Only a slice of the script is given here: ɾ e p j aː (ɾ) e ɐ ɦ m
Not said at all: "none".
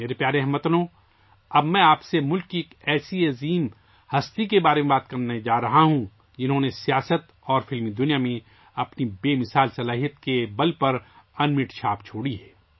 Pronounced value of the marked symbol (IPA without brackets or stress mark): ɾ